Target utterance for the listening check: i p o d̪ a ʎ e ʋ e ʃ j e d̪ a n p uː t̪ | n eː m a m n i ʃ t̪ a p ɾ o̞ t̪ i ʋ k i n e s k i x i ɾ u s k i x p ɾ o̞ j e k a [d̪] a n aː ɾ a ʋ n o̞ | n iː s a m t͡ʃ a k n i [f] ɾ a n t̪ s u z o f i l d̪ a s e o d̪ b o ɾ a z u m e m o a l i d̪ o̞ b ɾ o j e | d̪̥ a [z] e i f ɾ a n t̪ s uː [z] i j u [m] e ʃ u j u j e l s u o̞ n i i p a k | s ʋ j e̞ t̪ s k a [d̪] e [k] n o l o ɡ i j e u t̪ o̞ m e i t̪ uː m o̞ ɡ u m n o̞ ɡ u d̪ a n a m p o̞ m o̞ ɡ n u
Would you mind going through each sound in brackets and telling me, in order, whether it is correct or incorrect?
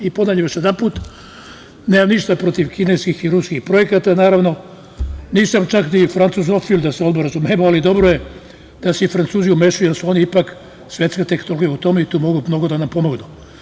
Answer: incorrect: t̪, correct, incorrect: s, correct, correct, incorrect: t̪, correct

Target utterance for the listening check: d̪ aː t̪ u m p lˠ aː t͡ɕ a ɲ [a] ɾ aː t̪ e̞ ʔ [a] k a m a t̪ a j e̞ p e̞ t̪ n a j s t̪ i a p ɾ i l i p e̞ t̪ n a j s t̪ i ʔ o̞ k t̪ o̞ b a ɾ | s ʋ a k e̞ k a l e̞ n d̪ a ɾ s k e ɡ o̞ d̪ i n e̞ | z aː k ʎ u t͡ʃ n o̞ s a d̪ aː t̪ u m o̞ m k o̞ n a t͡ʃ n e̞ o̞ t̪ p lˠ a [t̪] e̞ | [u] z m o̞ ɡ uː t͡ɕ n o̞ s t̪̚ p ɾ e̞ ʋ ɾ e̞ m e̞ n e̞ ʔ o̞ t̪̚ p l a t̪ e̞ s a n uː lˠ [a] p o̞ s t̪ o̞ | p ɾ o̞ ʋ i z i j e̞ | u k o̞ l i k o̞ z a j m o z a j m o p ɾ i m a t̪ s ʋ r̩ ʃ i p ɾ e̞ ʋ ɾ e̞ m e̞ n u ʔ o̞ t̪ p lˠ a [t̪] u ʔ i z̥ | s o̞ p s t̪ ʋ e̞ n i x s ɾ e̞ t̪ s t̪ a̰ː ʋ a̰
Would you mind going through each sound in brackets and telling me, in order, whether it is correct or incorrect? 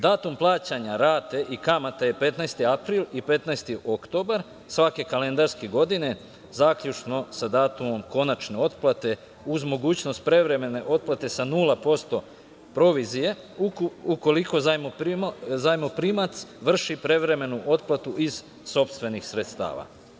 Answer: correct, incorrect: i, correct, correct, correct, correct

